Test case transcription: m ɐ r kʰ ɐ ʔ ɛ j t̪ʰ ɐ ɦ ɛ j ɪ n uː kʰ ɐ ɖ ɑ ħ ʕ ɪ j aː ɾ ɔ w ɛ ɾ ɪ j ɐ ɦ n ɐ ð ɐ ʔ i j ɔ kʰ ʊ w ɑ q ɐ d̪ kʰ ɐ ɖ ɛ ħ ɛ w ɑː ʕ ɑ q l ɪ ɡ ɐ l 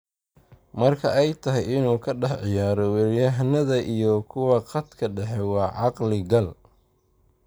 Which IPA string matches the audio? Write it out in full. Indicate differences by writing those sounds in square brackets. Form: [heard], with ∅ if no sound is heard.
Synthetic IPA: m ɐ r kʰ ɐ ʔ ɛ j t̪ʰ ɐ ɦ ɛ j ɪ n uː kʰ ɐ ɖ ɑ ħ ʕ ɪ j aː ɾ ɔ w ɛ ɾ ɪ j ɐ ɦ n ɐ ð ɐ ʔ i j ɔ kʰ ʊ w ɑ q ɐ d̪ kʰ ɐ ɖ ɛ ħ ɛ w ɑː ʕ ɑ q l ɪ ɡ ɐ l